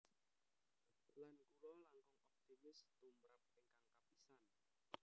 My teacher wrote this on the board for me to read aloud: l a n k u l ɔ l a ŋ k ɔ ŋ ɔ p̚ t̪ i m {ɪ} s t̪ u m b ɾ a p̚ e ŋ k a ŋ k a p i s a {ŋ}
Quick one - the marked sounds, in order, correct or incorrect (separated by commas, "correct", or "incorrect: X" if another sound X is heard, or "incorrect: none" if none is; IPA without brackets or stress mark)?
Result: correct, incorrect: n